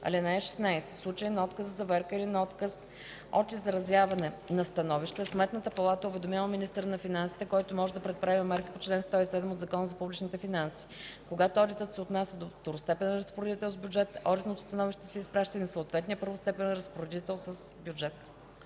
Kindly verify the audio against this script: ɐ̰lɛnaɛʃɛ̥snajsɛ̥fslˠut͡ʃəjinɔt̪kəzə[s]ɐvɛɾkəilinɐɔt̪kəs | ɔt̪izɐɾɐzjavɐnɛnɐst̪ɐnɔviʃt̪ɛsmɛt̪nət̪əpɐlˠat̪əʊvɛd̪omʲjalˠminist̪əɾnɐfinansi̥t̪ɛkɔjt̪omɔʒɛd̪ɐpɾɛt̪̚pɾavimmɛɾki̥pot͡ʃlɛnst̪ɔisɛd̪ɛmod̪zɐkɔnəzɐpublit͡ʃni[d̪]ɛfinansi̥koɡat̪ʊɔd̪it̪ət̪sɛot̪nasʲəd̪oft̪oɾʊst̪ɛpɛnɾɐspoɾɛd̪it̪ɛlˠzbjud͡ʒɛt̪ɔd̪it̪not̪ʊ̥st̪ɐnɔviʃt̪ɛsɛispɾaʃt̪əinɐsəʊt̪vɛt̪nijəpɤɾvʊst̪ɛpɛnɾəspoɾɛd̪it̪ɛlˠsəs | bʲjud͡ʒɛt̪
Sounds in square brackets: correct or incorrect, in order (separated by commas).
incorrect, incorrect